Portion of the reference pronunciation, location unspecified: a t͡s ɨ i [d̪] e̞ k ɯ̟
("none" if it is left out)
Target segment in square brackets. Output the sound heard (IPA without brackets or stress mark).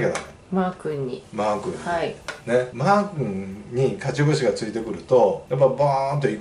t̪